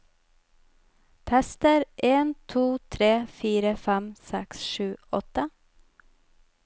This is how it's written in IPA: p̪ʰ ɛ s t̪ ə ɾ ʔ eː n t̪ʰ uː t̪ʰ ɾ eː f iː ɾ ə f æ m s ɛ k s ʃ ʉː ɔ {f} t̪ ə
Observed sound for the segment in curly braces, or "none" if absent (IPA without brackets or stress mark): none